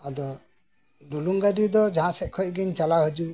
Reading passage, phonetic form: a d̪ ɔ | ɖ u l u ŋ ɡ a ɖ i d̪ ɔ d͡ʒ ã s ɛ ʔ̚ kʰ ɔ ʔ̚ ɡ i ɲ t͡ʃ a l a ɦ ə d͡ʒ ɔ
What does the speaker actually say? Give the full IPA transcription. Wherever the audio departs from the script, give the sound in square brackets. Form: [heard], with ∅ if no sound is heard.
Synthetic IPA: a d̪ ɔ | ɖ u l u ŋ ɡ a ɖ i d̪ ɔ d͡ʒ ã s ɛ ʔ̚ kʰ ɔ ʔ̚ ɡ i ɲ t͡ʃ a l a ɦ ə d͡ʒ [u]